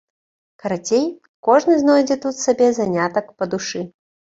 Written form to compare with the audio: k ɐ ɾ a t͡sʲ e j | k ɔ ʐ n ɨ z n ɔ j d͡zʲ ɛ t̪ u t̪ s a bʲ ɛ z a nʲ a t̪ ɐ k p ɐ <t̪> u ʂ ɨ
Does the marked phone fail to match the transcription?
yes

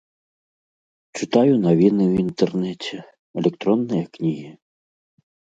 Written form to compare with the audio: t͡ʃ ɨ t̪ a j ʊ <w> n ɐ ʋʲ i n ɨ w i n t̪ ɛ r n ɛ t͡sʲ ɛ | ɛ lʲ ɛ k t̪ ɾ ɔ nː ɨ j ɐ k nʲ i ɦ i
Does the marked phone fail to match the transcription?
yes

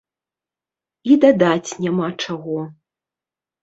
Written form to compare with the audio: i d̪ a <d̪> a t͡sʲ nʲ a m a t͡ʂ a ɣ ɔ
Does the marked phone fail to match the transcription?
no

